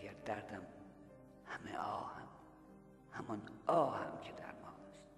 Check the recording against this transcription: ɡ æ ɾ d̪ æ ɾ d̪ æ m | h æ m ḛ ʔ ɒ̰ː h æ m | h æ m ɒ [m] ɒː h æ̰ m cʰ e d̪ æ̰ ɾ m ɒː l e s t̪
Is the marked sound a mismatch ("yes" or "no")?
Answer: yes